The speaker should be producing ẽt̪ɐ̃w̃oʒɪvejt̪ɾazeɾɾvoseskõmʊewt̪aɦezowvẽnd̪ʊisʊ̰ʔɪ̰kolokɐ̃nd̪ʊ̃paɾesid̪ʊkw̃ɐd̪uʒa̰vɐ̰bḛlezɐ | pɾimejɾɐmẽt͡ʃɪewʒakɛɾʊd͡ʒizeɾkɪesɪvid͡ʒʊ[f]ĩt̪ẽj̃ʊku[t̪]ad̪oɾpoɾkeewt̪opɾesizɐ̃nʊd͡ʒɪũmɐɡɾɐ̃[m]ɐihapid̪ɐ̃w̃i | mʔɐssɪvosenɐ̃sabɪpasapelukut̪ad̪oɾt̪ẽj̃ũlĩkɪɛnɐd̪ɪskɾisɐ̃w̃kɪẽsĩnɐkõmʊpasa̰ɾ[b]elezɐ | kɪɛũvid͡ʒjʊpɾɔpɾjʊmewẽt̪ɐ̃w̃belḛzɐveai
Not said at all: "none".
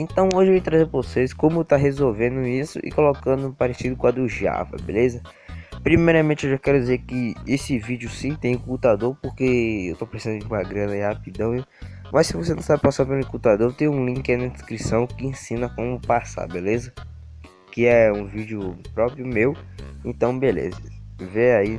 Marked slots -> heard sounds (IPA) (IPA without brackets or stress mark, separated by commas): s, t̪, n, b